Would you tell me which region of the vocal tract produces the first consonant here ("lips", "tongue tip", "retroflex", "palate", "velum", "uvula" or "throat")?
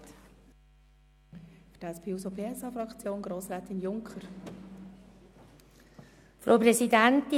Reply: lips